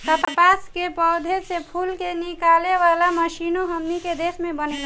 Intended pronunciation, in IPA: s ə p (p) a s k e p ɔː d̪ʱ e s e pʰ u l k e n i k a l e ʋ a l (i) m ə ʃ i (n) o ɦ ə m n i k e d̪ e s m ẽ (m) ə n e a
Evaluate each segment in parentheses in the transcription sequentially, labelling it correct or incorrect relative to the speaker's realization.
correct, incorrect, correct, incorrect

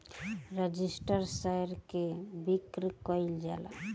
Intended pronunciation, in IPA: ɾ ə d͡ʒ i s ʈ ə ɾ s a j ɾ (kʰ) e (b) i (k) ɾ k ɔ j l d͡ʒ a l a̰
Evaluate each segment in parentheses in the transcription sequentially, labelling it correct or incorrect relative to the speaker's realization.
incorrect, correct, correct

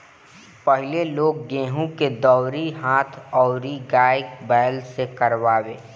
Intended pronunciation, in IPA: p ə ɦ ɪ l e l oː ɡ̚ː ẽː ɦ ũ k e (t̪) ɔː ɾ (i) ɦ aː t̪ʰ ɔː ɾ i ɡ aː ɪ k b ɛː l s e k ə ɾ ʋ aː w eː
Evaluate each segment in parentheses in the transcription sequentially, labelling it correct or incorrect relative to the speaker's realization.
incorrect, correct

